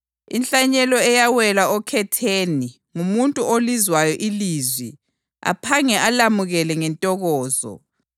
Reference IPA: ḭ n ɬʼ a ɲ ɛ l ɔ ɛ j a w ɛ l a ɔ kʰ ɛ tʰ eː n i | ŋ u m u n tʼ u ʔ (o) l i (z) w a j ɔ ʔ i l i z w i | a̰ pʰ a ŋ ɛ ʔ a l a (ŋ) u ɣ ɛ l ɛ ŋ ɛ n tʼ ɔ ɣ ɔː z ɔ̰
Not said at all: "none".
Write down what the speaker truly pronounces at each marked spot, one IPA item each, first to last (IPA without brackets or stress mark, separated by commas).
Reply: o, z, m